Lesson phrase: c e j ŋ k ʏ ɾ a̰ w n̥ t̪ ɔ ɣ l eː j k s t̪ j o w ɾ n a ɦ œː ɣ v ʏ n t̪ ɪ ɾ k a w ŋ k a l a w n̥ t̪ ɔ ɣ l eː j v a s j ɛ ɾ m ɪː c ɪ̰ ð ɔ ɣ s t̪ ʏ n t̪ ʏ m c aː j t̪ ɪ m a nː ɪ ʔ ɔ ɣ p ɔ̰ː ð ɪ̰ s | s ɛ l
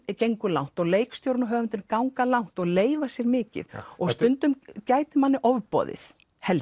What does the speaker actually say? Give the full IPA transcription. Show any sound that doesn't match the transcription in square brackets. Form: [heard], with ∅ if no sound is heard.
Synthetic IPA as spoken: c e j ŋ k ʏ [l] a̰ w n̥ t̪ ɔ ɣ l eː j k s t̪ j o w ɾ n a ɦ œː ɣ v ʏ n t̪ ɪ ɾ k a w ŋ k a l a w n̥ t̪ ɔ ɣ l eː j v a s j ɛ ɾ m ɪː c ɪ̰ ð ɔ ɣ s t̪ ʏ n t̪ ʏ m c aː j t̪ ɪ m a nː ɪ ʔ ɔ [v] p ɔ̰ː ð ɪ̰ [θ] | [h] ɛ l